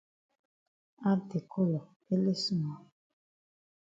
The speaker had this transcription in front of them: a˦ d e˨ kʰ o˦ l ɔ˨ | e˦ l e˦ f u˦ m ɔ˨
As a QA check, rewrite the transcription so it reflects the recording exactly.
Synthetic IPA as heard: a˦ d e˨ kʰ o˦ l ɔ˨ | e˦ l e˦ s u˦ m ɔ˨